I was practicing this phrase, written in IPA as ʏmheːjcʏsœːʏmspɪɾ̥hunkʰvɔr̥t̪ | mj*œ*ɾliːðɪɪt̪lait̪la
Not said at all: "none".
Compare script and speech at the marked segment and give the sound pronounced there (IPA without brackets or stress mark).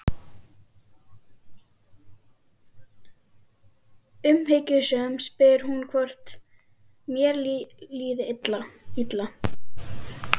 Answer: ɛ